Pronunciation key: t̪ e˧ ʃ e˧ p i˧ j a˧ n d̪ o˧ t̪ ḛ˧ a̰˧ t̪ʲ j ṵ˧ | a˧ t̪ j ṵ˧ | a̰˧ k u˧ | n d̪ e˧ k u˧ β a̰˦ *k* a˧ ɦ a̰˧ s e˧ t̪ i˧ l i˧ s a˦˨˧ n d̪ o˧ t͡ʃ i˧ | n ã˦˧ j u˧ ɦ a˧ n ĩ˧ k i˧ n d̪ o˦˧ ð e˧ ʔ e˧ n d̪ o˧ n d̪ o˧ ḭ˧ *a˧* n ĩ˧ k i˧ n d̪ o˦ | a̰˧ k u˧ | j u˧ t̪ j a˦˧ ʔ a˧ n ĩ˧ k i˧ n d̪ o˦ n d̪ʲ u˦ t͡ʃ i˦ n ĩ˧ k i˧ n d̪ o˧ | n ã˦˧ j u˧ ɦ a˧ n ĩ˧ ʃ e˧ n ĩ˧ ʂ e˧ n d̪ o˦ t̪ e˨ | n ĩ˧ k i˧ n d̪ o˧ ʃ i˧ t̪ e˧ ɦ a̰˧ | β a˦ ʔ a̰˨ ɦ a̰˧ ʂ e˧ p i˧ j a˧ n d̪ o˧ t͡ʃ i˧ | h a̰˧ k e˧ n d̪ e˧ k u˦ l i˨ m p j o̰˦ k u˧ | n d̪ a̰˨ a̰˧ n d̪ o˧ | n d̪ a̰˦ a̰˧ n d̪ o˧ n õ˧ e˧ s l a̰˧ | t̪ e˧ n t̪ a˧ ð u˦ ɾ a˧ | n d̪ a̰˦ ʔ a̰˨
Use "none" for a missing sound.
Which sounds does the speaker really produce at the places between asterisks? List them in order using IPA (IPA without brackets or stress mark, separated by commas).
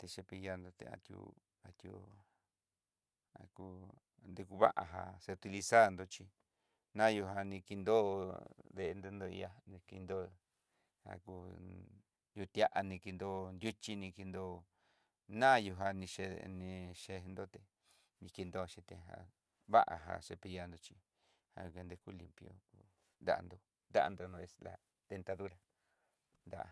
ʔ, a˧